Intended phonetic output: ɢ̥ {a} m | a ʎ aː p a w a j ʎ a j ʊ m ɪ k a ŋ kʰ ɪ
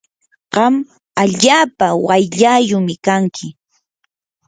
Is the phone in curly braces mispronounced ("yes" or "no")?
yes